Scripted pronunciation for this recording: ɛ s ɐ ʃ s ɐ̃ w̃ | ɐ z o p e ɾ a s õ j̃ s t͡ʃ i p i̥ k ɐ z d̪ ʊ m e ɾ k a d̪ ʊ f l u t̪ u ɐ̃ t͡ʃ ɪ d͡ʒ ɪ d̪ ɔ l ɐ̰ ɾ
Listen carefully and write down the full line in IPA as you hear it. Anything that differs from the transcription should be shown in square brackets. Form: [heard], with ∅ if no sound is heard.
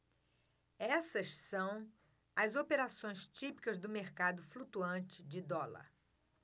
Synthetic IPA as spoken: ɛ s ɐ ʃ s ɐ̃ w̃ | ɐ z o p e ɾ a s õ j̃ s t͡ʃ i p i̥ k ɐ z d̪ ʊ m e ɾ k a d̪ ʊ f l u t̪ u ɐ̃ t͡ʃ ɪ d͡ʒ ɪ d̪ ɔ l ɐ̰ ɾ